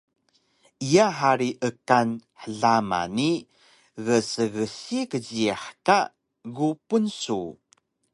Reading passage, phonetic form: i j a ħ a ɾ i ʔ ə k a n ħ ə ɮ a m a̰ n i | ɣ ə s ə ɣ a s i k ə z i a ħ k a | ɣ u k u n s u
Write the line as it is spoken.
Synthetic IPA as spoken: i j a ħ a ɾ i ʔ ə k a n ħ ə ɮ a m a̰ n i | ɣ ə s ə ɣ ə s i k ə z i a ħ k a | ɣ u p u n s u